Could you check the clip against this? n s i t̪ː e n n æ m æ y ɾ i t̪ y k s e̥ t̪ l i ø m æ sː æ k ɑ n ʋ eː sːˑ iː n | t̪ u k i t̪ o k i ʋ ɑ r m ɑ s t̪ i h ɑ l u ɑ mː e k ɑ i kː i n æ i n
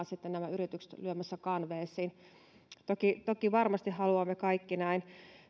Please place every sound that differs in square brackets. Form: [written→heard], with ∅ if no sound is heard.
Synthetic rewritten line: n s i t̪ː e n n æ m æ y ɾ i t̪ y k s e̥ t̪ l [i→y] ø m æ sː æ k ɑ n ʋ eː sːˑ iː n | t̪ [u→o] k i t̪ o k i ʋ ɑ r m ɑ s t̪ i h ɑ l u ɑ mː e k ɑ i kː i n æ i n